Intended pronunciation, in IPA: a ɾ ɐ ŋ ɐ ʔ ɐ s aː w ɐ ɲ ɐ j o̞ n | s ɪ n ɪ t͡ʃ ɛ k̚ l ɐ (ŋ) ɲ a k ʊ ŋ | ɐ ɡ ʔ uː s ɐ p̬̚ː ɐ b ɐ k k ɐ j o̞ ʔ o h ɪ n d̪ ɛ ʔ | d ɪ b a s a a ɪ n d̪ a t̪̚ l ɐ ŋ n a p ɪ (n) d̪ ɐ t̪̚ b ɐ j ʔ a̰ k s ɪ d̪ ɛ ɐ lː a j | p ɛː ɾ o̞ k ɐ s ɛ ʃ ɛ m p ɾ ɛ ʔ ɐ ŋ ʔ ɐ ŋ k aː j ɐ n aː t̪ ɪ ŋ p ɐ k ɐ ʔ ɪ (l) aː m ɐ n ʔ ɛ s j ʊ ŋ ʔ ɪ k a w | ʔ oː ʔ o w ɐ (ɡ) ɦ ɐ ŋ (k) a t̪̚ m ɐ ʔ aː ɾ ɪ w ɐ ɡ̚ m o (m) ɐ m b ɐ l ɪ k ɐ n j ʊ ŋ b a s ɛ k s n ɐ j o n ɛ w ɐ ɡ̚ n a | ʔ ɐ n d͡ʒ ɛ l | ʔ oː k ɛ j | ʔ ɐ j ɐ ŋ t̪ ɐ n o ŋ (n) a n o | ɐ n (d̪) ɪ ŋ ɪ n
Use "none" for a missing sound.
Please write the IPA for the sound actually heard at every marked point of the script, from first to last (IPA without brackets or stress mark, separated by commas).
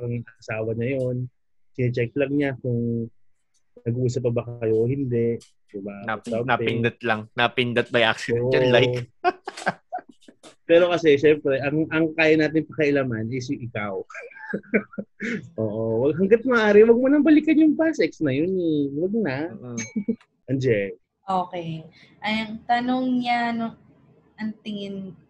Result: ŋ, n, l, ɡ, ɡ, n, ɲ, t̪